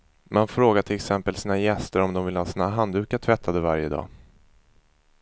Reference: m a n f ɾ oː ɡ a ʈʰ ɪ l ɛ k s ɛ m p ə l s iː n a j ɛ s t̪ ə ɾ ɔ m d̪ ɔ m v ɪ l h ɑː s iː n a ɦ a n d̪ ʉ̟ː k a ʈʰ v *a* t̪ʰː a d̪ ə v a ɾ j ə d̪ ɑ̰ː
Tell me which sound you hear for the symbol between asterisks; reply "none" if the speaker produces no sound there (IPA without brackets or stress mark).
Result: ɛ